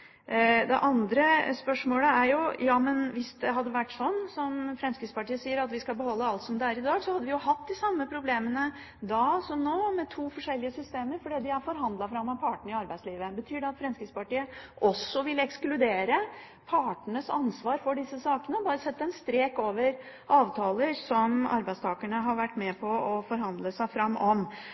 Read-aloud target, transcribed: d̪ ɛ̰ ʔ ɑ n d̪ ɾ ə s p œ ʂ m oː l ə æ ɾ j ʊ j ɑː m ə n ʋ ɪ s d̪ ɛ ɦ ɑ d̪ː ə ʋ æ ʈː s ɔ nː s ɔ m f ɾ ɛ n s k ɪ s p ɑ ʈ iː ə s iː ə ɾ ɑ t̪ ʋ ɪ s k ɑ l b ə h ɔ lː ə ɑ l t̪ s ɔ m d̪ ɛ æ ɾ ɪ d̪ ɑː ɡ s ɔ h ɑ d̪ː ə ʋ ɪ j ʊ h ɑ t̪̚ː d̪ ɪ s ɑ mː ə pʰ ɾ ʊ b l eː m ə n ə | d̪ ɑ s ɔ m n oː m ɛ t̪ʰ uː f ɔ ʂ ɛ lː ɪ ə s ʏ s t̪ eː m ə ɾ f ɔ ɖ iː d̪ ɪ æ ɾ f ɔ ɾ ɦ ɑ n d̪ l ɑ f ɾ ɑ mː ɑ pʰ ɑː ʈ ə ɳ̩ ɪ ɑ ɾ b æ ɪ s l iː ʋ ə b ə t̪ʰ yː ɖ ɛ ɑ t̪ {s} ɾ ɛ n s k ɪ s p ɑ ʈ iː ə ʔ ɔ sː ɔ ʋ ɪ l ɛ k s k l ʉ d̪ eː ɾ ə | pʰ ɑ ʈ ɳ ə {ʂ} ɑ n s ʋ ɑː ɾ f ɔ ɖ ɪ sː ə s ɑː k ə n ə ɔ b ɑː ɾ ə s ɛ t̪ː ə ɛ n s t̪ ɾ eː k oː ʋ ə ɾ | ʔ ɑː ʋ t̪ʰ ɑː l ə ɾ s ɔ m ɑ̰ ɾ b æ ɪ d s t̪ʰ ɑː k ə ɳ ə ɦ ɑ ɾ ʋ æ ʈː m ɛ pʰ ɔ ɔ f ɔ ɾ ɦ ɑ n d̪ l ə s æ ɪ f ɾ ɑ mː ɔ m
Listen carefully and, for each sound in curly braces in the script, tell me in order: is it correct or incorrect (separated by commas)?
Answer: incorrect, incorrect